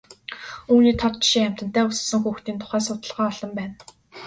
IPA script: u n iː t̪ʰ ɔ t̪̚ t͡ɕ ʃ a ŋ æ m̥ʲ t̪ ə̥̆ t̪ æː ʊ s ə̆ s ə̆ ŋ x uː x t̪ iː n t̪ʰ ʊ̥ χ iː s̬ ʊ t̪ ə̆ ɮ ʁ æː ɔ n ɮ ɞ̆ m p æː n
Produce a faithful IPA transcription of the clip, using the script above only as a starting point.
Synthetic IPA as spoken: uː n iː t̪ʰ ɔ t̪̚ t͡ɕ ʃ i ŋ æ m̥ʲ t̪ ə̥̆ t̪ æː ʊ s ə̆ s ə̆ ŋ x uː x t̪ iː n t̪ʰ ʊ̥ χ æː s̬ ʊ t̪ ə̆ ɮ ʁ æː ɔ ɮ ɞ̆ m p æː n